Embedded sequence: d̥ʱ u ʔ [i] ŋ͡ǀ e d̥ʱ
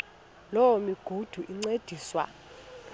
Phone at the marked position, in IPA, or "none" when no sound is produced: i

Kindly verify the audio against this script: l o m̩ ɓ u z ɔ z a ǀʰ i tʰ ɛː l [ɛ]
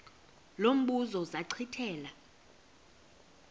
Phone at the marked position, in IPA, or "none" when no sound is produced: a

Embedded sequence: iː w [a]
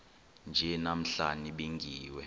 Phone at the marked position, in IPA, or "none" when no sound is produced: ɛ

